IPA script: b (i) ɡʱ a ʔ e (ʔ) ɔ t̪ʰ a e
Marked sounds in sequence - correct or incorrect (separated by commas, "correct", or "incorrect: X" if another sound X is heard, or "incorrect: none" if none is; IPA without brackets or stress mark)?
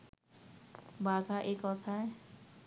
incorrect: a, incorrect: k